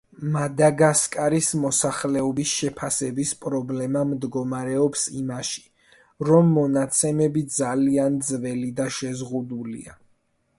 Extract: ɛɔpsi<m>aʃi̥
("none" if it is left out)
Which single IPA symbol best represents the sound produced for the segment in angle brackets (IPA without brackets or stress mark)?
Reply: m